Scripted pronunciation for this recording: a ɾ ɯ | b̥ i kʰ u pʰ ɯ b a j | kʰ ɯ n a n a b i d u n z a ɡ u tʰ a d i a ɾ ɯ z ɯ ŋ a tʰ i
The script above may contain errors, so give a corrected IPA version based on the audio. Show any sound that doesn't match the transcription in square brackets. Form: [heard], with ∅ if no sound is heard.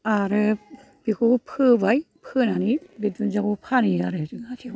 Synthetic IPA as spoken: a ɾ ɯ | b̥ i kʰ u pʰ ɯ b a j | [pʰ] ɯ n a n [i] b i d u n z a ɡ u [pʰ] a [n] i a ɾ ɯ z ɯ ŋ a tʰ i